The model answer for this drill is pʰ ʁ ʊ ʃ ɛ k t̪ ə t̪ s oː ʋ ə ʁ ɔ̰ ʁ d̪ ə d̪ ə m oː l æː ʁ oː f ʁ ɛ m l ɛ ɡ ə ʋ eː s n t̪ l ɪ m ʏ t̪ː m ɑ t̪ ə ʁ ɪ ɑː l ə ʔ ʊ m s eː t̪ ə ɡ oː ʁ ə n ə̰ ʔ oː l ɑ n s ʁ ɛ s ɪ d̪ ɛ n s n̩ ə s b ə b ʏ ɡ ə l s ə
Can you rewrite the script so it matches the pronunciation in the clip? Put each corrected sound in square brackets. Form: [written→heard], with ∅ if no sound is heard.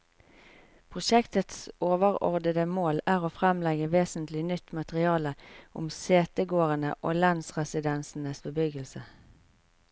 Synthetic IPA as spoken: pʰ ʁ ʊ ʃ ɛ k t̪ ə t̪ s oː ʋ ə ʁ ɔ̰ ʁ d̪ ə d̪ ə m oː l æː ʁ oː f ʁ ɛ m l ɛ ɡ ə ʋ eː s n t̪ l ɪ [m→n] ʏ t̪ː m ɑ t̪ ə ʁ ɪ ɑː l ə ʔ ʊ m s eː t̪ ə ɡ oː ʁ ə n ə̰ ʔ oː l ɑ n s ʁ ɛ s ɪ d̪ ɛ n s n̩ ə s b ə b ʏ ɡ ə l s ə